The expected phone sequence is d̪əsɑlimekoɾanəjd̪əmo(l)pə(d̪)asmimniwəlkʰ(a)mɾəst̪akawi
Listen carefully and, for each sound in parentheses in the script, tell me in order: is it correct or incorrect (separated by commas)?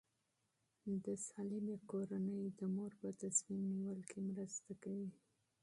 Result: incorrect, incorrect, incorrect